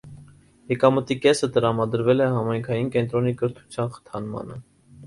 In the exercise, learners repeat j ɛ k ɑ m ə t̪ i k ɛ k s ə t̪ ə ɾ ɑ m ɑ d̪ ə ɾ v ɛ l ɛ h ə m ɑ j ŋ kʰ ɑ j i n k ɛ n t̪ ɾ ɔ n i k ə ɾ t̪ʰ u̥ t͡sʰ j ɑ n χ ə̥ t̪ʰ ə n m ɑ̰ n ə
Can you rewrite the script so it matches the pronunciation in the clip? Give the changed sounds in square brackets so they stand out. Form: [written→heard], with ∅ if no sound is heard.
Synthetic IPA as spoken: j ɛ k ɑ m ə t̪ i k ɛ [k→∅] s ə t̪ ə ɾ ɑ m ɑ d̪ ə ɾ v ɛ l ɛ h [ə→ɑ] m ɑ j ŋ kʰ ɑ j i n k ɛ n t̪ ɾ ɔ n i k ə ɾ t̪ʰ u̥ t͡sʰ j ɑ n χ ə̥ t̪ʰ [ə→ɑ] n m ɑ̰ n ə